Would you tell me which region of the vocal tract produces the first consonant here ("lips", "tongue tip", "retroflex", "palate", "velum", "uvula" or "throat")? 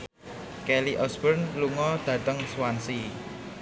velum